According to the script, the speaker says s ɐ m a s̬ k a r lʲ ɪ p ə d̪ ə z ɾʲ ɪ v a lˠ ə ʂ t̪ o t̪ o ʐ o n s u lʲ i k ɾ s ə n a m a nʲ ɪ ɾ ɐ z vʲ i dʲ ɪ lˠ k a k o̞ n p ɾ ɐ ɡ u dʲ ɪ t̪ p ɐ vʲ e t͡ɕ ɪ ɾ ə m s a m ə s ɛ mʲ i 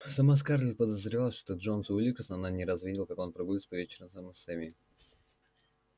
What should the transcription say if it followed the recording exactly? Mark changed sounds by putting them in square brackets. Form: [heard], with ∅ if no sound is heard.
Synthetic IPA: s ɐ m a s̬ k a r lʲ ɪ p ə d̪ ə z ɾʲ ɪ v a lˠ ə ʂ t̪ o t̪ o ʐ o n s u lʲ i k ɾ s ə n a [n] a nʲ ɪ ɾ ɐ z vʲ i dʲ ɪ lˠ k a k o̞ n p ɾ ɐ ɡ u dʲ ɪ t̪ p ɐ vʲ e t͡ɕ ɪ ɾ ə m s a m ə s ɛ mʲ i